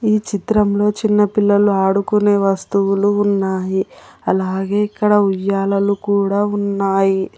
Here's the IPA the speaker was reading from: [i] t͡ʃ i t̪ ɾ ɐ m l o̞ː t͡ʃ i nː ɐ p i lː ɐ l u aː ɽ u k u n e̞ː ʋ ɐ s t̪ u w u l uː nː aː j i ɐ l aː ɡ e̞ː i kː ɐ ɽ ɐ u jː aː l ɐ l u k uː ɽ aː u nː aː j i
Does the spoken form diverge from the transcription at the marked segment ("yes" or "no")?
yes